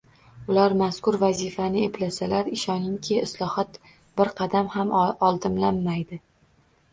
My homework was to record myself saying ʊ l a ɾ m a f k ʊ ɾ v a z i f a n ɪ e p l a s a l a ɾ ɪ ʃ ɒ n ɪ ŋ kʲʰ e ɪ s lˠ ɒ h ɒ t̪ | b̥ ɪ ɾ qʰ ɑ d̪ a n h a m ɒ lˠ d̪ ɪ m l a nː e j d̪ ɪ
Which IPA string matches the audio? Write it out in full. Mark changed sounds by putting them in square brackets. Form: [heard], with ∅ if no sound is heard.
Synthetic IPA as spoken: ʊ l a ɾ m a [s] k ʊ ɾ v a z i f a n ɪ e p l a s a l a ɾ ɪ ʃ ɒ n ɪ ŋ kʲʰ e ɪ s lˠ ɒ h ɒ t̪ | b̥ ɪ ɾ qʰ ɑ d̪ a [m] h a m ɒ lˠ d̪ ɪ m l a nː [a] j d̪ ɪ